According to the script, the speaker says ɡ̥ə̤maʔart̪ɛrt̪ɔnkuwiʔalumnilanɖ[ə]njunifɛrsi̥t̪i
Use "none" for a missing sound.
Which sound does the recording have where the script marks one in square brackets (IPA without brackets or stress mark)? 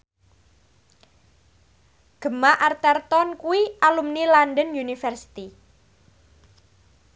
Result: ə